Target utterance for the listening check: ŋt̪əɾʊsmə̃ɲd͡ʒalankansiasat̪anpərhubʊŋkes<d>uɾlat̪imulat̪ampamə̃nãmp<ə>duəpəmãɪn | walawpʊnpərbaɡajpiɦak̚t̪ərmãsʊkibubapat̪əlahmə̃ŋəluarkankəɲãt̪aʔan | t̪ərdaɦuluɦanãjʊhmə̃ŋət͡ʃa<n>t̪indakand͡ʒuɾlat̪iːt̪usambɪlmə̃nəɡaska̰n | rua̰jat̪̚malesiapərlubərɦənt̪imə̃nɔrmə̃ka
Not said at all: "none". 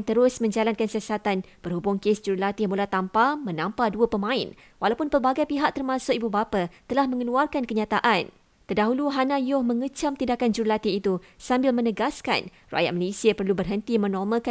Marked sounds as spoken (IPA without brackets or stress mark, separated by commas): d͡ʒ, a, m